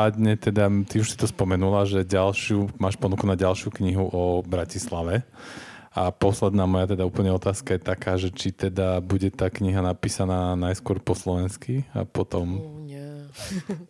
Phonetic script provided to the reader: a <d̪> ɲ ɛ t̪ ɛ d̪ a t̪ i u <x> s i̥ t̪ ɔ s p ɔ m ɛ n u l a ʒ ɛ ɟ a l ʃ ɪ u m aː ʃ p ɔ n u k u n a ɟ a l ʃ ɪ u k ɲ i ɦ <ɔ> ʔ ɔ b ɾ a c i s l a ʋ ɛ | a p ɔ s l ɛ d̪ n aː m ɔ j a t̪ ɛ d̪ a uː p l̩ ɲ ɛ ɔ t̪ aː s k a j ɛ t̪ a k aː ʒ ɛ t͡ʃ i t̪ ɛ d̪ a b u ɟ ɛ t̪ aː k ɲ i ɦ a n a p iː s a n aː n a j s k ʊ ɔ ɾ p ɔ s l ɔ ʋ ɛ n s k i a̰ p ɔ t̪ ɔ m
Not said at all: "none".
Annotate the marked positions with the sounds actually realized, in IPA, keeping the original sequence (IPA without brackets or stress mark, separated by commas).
d̪, ʃ, u